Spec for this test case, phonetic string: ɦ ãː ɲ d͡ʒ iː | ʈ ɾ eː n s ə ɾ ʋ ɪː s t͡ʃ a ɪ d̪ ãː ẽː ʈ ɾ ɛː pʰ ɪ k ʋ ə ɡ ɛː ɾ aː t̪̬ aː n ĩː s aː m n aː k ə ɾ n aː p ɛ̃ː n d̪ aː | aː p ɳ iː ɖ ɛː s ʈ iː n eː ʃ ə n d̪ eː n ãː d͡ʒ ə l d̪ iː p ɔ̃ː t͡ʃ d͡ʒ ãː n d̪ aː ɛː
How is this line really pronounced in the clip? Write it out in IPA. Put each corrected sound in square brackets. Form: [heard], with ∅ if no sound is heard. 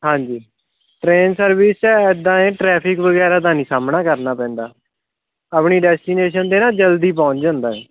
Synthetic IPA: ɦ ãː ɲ d͡ʒ iː | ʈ ɾ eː n s ə ɾ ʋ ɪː s t͡ʃ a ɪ d̪ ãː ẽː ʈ ɾ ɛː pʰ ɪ k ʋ ə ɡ ɛː ɾ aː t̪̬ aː n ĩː s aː m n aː k ə ɾ n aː p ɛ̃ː n d̪ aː | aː p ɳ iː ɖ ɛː s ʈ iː n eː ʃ ə n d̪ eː n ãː d͡ʒ ə l d̪ iː p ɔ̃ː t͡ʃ d͡ʒ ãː n d̪ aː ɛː